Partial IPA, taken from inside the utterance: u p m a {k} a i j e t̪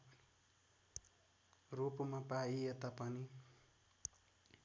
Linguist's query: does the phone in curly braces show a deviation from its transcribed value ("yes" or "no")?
yes